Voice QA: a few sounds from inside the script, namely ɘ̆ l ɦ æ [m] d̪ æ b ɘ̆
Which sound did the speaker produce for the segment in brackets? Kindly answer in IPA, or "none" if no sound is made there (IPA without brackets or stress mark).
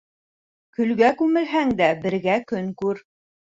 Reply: ŋ